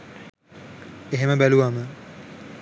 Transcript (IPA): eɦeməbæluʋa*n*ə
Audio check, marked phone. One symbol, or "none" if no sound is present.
m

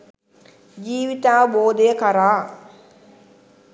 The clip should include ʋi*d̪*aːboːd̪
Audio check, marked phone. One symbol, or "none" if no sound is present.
t̪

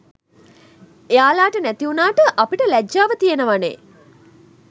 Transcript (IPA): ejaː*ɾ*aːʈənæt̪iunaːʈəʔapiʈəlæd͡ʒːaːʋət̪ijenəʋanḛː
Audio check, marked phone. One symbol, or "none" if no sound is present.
l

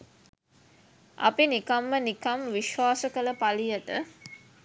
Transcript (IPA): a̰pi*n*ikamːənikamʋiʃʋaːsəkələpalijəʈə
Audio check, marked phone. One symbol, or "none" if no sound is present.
n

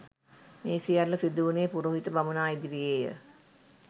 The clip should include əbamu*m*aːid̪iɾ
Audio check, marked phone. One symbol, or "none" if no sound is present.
n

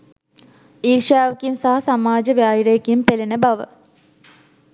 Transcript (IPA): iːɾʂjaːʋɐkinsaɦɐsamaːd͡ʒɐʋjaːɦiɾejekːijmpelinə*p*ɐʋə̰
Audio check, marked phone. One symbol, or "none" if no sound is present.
b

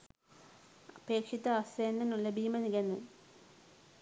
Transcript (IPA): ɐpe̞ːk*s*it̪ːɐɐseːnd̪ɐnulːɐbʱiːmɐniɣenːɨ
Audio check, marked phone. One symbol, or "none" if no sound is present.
ʂ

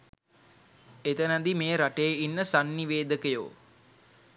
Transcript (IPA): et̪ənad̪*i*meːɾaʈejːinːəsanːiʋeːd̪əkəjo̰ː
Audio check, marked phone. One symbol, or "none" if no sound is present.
i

